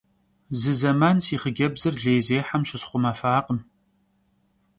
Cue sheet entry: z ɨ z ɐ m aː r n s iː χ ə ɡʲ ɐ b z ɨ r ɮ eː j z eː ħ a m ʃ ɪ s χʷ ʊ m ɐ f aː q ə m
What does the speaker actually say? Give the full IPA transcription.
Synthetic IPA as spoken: z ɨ z ɐ m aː n s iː χ ə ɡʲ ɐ b z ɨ r ɮ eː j z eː ħ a m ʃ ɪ s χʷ ʊ m ɐ f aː q ə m